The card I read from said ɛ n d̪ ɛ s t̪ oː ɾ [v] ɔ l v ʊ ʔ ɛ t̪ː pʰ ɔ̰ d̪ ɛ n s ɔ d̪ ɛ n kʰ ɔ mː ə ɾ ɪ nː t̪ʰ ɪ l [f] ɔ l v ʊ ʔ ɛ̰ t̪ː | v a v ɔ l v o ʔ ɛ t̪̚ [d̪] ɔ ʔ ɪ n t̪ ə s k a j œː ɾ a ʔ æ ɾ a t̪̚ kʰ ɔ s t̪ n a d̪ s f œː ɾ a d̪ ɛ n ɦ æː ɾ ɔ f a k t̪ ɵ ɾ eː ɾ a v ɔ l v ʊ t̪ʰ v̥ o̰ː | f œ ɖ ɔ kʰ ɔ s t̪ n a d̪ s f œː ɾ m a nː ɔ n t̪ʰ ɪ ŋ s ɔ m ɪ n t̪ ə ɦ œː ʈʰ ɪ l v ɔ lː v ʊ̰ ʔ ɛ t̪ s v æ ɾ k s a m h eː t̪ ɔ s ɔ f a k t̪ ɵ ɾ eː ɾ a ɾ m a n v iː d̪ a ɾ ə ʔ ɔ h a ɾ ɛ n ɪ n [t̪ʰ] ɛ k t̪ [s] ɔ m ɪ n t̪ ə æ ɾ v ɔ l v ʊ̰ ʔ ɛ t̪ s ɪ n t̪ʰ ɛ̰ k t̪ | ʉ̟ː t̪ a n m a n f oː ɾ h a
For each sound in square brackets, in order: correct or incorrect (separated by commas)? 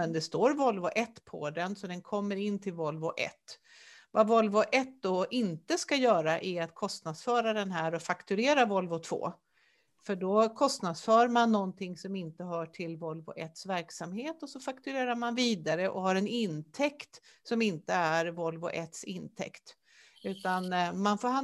correct, incorrect, correct, correct, correct